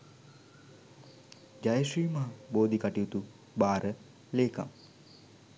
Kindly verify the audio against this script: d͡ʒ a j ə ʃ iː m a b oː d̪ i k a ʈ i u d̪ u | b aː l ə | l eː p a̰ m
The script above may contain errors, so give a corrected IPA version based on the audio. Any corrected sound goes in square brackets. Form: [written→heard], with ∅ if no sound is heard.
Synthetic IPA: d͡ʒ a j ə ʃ iː m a b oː d̪ i k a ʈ i u [d̪→t̪] u | b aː [l→ɾ] ə | l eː [p→k] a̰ m